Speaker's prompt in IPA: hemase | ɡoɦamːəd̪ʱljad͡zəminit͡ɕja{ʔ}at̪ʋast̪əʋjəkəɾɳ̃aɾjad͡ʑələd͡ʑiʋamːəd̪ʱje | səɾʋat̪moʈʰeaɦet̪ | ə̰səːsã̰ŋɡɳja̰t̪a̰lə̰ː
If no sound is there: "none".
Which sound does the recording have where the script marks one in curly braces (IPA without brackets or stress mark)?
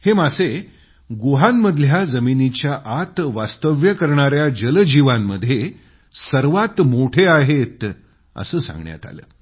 ʔ